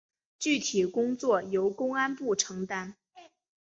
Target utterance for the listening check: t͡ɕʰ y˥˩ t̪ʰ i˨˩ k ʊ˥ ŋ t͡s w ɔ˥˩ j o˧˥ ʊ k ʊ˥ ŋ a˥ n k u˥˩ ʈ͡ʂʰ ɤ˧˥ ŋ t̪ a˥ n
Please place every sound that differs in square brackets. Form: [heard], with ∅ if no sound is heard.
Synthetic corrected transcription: [t͡ɕ] y˥˩ t̪ʰ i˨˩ k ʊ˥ ŋ t͡s w ɔ˥˩ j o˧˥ ʊ k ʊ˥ ŋ a˥ n [p] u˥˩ ʈ͡ʂʰ ɤ˧˥ ŋ t̪ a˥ n